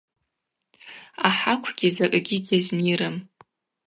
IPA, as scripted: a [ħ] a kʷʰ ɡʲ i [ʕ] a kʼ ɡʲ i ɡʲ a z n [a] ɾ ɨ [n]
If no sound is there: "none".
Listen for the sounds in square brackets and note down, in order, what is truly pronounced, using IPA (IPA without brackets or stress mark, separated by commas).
ħ, z, i, m